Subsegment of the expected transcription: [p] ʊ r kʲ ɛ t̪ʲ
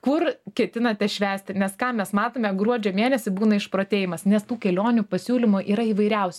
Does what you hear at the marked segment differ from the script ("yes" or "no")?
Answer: yes